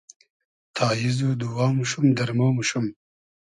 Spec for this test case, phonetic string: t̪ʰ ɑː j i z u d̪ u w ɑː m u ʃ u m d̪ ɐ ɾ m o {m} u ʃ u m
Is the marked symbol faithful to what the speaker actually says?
yes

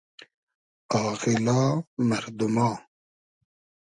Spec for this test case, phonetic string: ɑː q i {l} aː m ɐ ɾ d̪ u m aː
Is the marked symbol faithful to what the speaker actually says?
yes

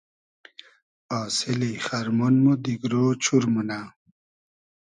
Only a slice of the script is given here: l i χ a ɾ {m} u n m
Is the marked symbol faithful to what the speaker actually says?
yes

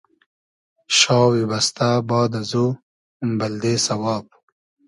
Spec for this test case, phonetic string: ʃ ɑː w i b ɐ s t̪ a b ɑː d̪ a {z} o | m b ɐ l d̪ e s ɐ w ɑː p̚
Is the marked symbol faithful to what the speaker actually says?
yes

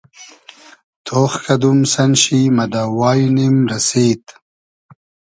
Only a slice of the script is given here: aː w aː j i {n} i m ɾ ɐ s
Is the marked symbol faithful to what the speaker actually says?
yes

